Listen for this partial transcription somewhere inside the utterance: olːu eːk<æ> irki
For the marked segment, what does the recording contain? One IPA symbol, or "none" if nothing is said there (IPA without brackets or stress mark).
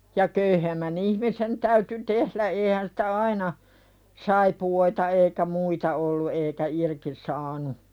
æ